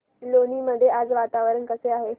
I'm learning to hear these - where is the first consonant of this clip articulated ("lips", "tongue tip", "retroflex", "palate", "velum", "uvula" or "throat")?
tongue tip